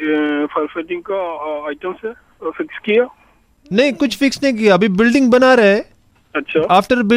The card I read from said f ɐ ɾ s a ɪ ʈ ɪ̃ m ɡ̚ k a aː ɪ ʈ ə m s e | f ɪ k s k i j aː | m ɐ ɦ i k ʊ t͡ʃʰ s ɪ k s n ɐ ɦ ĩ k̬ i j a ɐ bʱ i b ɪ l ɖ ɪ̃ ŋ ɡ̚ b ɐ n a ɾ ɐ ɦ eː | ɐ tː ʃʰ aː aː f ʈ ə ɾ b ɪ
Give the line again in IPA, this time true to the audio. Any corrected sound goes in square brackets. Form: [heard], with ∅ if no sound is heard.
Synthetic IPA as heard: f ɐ ɾ [f] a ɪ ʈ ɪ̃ [ŋ] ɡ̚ k a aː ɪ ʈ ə m s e | f ɪ k s k i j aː | [n] ɐ ɦ [ĩ] k ʊ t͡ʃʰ [f] ɪ k s n ɐ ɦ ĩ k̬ i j a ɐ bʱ i b ɪ l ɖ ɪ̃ ŋ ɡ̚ b ɐ n a ɾ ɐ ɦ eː | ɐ tː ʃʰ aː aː f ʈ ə ɾ b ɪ